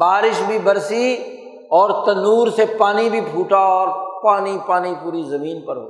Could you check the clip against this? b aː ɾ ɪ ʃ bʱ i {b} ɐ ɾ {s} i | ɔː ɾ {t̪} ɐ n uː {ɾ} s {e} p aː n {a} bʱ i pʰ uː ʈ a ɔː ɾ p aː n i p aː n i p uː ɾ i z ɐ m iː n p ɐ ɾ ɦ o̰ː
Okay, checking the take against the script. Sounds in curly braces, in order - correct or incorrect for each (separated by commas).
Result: correct, correct, correct, correct, correct, incorrect